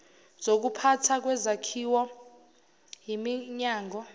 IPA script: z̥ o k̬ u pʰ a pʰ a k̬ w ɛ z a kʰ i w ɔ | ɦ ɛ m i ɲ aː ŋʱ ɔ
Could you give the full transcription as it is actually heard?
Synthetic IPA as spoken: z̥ o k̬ u pʰ a tʰ a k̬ w ɛ z a kʰ i w ɔ | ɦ i m i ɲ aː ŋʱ ɔ